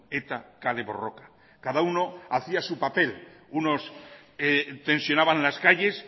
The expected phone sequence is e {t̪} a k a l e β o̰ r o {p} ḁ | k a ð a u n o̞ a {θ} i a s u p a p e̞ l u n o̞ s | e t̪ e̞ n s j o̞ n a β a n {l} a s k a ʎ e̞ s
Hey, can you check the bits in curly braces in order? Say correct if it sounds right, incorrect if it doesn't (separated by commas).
correct, incorrect, correct, correct